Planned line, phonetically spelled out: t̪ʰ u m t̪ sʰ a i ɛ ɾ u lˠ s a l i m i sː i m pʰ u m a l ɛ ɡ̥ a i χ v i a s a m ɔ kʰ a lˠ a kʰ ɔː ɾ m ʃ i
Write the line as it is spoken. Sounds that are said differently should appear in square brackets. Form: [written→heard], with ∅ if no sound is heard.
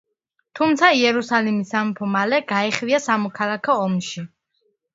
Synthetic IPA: t̪ʰ u m t̪ sʰ a i ɛ ɾ u [lˠ→∅] s a l i m i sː [i→a] m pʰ [u→ɔ] m a l ɛ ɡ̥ a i χ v i a s a m ɔ kʰ a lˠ a kʰ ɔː [ɾ→∅] m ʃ i